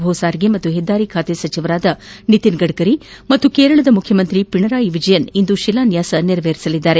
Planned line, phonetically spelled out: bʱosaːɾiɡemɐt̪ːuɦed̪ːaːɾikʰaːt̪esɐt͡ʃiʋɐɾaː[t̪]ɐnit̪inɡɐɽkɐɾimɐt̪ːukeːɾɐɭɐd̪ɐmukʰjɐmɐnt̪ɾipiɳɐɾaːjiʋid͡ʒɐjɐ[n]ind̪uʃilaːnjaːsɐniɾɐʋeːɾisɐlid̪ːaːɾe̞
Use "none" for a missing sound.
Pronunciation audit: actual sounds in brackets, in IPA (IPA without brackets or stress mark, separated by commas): d̪, n